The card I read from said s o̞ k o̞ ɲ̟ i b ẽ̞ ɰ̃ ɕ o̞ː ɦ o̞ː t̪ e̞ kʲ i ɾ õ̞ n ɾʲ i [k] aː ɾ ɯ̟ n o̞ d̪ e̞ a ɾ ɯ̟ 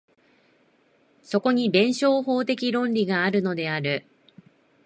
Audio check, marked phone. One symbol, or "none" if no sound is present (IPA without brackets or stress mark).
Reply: ɡ